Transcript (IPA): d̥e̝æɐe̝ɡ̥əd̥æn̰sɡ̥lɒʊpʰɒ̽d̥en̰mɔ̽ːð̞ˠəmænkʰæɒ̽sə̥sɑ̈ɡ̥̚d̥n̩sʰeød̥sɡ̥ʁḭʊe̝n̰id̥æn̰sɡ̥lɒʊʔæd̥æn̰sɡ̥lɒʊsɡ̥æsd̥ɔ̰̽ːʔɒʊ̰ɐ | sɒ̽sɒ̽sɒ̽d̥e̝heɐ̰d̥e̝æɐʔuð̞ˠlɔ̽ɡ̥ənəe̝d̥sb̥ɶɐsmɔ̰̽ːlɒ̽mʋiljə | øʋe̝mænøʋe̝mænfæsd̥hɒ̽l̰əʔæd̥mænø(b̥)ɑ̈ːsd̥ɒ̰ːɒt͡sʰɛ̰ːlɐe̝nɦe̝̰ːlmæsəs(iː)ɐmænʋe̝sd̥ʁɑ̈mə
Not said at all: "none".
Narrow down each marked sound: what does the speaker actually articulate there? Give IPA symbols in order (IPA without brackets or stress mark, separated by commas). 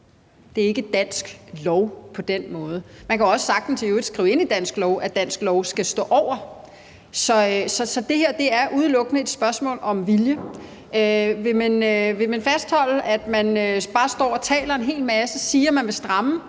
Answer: b̥, iː